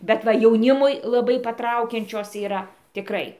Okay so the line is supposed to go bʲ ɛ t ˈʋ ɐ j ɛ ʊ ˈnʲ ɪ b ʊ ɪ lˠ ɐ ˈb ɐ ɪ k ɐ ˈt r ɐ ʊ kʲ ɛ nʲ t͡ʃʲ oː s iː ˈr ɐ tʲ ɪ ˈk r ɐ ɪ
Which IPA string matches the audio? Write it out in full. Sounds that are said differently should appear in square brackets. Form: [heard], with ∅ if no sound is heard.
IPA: bʲ ɛ t ˈʋ ɐ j ɛ ʊ ˈnʲ ɪ [m] ʊ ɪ lˠ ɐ ˈb ɐ ɪ [p] ɐ ˈt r ɐ ʊ kʲ ɛ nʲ t͡ʃʲ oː s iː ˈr ɐ tʲ ɪ ˈk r ɐ ɪ